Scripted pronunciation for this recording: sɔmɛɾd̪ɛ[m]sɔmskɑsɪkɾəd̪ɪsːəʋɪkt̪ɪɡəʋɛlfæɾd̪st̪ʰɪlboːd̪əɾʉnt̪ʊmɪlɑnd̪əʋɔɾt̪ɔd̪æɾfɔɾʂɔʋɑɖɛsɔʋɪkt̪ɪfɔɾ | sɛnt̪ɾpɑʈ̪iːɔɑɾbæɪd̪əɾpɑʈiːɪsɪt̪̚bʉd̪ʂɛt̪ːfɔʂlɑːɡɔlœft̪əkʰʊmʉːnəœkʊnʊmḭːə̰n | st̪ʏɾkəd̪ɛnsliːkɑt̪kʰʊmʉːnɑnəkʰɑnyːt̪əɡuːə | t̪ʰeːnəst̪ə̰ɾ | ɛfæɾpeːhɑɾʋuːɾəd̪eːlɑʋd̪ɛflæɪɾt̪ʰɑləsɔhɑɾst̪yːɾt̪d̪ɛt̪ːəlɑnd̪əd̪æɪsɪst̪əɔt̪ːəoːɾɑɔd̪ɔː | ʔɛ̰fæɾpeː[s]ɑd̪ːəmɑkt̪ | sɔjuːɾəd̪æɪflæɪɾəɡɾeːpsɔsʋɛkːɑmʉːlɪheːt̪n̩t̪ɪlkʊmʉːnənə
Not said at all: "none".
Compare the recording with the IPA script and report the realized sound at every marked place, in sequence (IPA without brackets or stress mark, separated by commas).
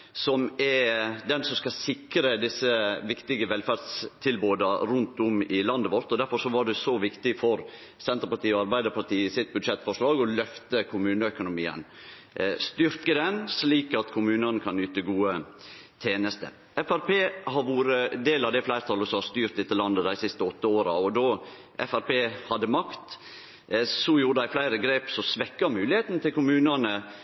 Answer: n, h